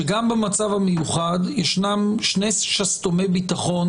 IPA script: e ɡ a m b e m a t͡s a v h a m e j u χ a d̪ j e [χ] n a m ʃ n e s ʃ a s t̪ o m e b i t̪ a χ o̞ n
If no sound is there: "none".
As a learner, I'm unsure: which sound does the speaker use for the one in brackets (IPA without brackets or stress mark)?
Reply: ʃ